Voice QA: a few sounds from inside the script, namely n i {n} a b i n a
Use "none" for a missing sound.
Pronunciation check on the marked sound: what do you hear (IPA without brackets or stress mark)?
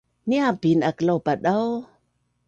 none